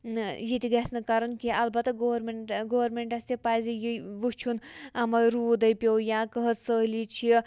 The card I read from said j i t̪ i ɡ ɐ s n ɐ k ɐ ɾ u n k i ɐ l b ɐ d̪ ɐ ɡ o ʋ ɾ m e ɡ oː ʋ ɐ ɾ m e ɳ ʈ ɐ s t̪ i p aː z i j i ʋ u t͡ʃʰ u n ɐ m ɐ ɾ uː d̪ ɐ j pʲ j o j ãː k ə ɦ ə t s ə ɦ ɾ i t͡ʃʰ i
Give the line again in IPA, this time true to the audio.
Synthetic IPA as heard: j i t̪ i ɡ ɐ s n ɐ k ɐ ɾ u n k i ɐ l b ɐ t̪ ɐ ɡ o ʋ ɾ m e ɡ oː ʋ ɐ ɾ m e ɳ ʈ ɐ s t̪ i p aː z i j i ʋ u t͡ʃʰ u n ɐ m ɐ ɾ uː d̪ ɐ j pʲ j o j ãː k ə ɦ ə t s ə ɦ l i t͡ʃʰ i